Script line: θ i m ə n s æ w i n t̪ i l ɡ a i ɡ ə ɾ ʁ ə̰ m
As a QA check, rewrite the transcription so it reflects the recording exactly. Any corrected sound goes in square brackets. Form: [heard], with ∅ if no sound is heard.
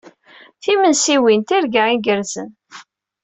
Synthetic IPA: θ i m ə n s [i] w i n t̪ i [ɾ] ɡ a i ɡ ə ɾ [z] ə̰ [n]